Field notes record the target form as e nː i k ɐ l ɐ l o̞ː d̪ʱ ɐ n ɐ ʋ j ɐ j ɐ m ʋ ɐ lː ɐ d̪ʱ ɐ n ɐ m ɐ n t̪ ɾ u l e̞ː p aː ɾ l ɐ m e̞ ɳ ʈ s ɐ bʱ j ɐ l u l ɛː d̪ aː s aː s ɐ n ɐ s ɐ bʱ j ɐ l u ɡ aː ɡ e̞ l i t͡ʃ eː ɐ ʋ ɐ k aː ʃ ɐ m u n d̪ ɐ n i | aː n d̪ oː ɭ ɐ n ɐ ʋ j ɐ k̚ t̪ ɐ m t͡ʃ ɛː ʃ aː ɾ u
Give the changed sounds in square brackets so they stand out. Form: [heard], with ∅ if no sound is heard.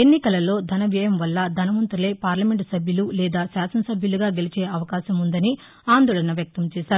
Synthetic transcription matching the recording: e nː i k ɐ l ɐ l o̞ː d̪ʱ ɐ n ɐ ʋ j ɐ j ɐ m ʋ ɐ lː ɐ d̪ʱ ɐ n ɐ m ɐ n t̪ ɾ u l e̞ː p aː ɾ l ɐ m e̞ ɳ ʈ s ɐ bʱ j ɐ l u l ɛː d̪ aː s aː s ɐ n ɐ s ɐ bʱ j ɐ l u ɡ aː ɡ e̞ l i t͡ʃ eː ɐ ʋ ɐ k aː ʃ ɐ m u n d̪ ɐ n i | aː n d̪ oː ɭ ɐ n ɐ ʋ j ɐ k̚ t̪ ɐ m t͡ʃ ɛː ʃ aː ɾ u